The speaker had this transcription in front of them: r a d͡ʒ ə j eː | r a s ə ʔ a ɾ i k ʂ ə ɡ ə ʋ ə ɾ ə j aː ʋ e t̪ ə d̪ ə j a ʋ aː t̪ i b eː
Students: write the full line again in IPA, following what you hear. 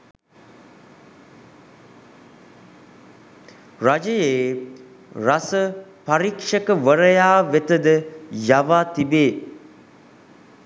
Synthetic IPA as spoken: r a d͡ʒ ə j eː | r a s ə p a ɾ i k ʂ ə k ə ʋ ə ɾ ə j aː ʋ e t̪ ə d̪ ə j a ʋ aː t̪ i b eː